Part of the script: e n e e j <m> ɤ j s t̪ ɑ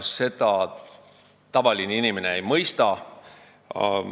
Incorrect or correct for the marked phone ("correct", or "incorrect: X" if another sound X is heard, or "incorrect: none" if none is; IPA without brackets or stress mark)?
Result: correct